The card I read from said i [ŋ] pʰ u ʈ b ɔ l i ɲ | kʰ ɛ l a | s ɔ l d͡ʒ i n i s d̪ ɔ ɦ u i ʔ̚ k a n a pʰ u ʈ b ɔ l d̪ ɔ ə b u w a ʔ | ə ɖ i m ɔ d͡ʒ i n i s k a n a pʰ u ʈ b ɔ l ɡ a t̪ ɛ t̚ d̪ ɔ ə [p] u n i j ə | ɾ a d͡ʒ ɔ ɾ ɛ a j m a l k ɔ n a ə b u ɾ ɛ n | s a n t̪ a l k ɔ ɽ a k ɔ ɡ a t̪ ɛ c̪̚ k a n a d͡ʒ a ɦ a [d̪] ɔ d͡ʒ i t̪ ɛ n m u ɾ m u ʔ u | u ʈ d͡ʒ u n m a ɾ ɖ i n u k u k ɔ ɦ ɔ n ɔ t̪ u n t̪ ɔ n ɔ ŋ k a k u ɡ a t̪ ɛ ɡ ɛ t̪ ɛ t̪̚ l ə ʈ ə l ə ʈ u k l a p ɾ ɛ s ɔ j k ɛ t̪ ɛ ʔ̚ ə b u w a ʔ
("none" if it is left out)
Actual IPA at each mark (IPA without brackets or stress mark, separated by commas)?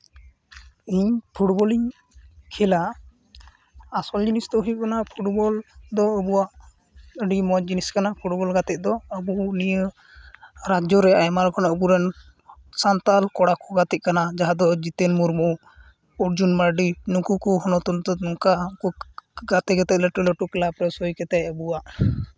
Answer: ɲ, b, d̪